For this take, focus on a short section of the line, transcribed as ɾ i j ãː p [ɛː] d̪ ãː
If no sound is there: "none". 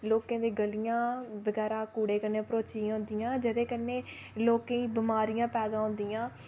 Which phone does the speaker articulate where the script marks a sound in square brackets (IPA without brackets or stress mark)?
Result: ɛː